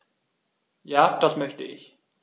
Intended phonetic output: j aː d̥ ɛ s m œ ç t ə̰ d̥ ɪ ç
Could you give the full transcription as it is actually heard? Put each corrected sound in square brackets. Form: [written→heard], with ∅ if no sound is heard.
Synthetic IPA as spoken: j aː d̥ [ɛ→a] s m œ ç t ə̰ [d̥→∅] ɪ ç